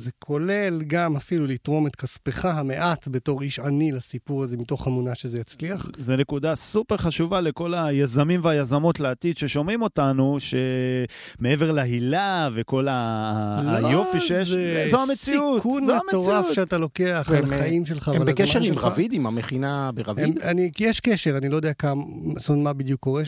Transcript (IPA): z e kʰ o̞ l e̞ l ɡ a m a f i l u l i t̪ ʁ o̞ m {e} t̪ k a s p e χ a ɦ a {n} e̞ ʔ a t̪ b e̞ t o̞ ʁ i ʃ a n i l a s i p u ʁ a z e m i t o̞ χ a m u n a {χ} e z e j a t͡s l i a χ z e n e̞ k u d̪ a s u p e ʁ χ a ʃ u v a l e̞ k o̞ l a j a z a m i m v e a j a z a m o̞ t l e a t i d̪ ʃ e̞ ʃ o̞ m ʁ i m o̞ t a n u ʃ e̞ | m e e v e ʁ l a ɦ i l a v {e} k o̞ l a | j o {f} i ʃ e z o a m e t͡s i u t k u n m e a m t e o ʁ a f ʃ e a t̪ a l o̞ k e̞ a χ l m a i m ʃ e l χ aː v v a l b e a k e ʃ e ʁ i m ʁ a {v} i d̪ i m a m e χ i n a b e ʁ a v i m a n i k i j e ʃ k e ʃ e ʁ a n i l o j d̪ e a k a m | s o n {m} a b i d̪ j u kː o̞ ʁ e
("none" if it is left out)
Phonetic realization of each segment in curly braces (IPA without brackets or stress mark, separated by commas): e, m, ʃ, e, f, v, m